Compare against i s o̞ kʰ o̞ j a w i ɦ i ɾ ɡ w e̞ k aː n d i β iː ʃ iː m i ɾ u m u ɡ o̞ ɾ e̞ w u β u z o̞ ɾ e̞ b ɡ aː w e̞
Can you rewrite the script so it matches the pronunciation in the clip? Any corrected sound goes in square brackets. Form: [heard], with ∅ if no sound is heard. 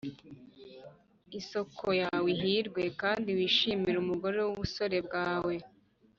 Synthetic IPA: i s o̞ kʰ o̞ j a w i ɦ i ɾ ɡ w e̞ k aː n d i [w] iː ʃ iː m i ɾ u m u ɡ o̞ ɾ e̞ w u β u [s] o̞ ɾ e̞ b ɡ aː w e̞

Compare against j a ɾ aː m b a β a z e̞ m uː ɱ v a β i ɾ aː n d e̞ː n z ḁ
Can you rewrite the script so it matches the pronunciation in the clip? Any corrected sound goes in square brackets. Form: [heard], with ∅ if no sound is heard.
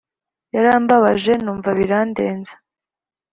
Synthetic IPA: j a ɾ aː m b a β a [ʒ] e̞ [n] uː ɱ v a β i ɾ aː n d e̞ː n z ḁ

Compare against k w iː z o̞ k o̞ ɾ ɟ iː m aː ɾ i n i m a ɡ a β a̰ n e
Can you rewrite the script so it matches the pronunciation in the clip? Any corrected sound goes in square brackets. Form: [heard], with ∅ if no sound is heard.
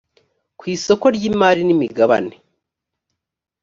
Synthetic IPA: k w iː [s] o̞ k o̞ ɾ ɟ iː m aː ɾ i n i m [i] ɡ a β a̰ n e

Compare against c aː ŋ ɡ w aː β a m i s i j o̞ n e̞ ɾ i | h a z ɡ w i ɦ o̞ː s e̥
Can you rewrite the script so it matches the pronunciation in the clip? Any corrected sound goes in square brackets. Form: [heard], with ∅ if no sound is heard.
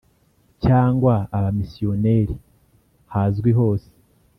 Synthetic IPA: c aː ŋ ɡ w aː β a m i s i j o̞ n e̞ ɾ i | h a z ɡ w i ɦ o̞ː s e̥

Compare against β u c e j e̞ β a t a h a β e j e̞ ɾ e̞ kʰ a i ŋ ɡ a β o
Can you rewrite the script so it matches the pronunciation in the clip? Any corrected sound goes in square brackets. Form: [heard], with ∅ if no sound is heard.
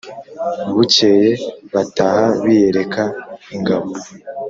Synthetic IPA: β u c e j e̞ β a t a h a β [i] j e̞ ɾ e̞ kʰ a i ŋ ɡ a β o

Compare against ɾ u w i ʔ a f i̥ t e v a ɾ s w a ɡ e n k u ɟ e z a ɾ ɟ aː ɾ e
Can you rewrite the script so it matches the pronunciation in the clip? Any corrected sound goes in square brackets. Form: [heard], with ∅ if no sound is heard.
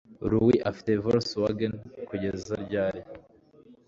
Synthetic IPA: ɾ u w i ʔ a f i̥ t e v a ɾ s w a ɡ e n k u ɟ e z a ɾ ɟ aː ɾ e

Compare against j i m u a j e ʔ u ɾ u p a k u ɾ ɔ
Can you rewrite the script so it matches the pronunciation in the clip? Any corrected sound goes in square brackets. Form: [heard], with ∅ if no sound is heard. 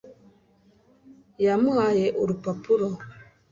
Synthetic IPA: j [a] m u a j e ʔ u ɾ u p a [p] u ɾ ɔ

